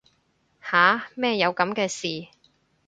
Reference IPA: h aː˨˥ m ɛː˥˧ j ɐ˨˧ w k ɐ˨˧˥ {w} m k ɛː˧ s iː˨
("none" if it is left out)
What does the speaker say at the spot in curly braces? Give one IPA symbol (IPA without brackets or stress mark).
none